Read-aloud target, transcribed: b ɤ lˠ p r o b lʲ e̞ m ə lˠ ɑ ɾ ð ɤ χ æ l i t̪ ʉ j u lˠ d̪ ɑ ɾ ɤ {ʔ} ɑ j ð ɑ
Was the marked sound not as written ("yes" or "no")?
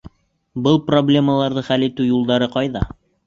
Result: yes